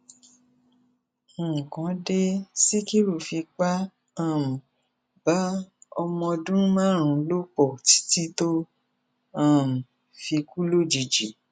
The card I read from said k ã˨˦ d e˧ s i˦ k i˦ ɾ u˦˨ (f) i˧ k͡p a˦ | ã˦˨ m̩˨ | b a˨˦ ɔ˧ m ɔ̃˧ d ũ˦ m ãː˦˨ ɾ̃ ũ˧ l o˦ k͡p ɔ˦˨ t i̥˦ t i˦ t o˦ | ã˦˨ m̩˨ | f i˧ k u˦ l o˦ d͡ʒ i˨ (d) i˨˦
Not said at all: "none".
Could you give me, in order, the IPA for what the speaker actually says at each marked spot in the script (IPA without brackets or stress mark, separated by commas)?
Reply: f, d͡ʒ